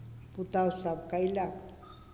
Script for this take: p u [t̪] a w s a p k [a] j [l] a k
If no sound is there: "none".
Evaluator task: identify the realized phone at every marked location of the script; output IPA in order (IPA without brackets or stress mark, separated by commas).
t̪, a, l